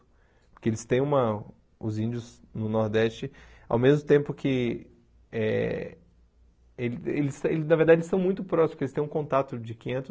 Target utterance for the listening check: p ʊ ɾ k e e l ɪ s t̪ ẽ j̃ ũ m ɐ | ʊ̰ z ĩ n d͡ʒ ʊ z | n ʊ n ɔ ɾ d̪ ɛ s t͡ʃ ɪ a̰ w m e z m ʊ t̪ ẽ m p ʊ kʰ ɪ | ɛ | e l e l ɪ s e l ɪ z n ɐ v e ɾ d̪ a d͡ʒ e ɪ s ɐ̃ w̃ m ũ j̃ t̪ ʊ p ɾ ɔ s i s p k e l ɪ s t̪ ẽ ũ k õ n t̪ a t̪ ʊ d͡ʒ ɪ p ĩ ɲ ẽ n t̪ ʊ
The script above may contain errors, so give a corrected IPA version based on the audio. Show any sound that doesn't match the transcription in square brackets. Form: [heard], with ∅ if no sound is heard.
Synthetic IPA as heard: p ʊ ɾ k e e l ɪ s t̪ ẽ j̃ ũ m ɐ | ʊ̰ z ĩ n d͡ʒ ʊ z | n ʊ n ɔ ɾ d̪ ɛ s t͡ʃ ɪ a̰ w m e z m ʊ t̪ ẽ m p ʊ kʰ ɪ | ɛ | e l e l ɪ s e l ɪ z n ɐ v e ɾ d̪ a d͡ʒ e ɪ s ɐ̃ w̃ m ũ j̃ t̪ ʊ p ɾ ɔ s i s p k e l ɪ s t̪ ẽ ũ k õ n t̪ a t̪ ʊ d͡ʒ ɪ [k] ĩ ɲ ẽ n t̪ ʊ